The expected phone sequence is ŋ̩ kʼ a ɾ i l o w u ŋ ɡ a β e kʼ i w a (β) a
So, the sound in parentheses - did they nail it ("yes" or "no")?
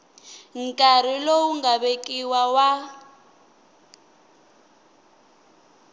no